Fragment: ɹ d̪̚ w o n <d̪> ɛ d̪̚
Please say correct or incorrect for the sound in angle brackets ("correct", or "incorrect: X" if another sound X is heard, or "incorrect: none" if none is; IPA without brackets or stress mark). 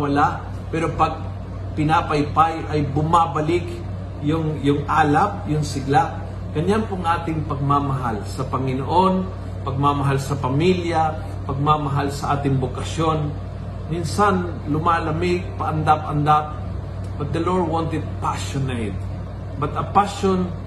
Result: incorrect: t̪